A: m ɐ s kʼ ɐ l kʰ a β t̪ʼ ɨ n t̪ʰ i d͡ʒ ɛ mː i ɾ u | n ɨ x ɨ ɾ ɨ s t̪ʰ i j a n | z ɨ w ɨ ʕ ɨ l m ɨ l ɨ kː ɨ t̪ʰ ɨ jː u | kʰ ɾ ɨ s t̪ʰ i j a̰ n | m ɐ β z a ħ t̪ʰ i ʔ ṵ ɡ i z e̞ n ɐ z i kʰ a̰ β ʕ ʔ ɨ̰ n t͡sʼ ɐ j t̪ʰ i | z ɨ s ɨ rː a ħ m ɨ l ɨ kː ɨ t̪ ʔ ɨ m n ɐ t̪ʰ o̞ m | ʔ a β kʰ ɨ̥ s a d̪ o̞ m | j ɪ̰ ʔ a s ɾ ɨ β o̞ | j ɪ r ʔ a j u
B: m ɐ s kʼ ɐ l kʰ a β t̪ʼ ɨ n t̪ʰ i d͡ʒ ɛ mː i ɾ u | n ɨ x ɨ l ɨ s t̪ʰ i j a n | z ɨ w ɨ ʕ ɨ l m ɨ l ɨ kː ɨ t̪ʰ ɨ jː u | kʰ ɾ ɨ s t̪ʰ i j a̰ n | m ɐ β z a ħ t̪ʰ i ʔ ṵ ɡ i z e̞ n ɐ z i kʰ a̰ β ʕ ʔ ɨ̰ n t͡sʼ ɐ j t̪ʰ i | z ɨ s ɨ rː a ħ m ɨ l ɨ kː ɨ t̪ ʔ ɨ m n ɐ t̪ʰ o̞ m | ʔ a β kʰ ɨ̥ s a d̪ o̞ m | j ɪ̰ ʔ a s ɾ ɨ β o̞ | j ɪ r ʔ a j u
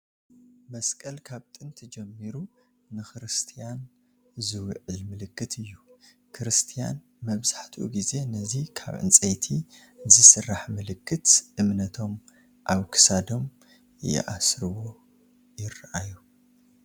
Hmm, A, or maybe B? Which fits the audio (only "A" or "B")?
A